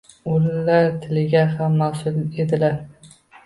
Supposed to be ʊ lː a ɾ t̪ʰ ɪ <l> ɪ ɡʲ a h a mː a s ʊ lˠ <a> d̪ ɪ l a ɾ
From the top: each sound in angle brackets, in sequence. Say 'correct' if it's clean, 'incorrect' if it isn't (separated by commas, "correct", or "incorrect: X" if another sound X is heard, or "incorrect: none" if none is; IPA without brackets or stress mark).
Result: correct, incorrect: e